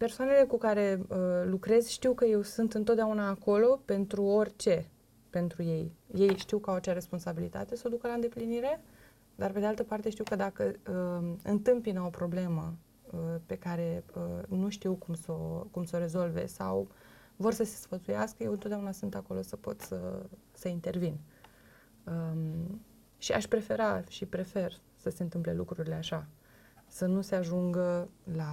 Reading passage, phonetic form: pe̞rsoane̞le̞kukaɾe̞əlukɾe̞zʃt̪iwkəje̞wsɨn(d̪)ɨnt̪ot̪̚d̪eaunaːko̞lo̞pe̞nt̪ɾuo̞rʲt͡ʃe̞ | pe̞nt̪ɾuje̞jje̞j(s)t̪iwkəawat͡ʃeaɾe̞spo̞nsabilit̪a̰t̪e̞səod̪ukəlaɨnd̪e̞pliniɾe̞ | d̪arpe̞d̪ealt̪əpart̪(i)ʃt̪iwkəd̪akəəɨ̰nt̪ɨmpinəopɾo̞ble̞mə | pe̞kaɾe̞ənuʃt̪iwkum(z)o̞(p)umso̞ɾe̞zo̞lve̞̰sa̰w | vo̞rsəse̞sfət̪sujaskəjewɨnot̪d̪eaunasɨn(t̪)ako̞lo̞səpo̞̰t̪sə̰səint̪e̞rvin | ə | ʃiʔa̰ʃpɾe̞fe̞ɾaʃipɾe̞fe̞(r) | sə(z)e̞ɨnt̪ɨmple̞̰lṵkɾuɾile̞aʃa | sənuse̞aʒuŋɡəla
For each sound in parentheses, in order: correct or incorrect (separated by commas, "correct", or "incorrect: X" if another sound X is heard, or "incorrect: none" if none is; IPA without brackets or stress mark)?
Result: incorrect: t̪, incorrect: ʃ, incorrect: e, incorrect: s, incorrect: k, correct, correct, incorrect: s